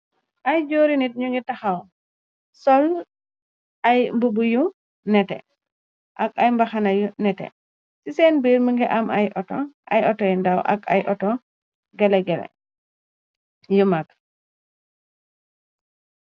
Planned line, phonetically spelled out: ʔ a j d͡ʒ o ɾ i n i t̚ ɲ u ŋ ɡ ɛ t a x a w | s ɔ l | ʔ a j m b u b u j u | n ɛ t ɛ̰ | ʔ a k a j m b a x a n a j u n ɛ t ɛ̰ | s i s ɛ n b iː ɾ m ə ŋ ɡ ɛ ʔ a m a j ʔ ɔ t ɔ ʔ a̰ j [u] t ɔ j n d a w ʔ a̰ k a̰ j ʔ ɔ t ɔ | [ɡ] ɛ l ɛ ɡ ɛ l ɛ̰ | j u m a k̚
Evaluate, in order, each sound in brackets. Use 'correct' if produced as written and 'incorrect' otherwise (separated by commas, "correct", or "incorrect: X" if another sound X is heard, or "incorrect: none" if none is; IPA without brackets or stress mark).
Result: incorrect: ɔ, correct